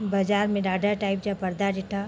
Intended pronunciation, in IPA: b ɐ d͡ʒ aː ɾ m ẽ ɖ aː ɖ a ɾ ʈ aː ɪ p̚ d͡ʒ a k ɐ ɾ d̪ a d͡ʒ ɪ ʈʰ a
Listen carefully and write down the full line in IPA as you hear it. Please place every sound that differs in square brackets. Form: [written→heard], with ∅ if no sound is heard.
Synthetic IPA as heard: b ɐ d͡ʒ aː ɾ m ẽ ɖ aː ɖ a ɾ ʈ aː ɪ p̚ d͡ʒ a [k→p] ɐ ɾ d̪ a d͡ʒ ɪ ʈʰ a